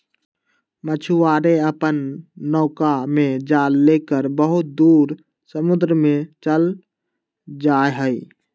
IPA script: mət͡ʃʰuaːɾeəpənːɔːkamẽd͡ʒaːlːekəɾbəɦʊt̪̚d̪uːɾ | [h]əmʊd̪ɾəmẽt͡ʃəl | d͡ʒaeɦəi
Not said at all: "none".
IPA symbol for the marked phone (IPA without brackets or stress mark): s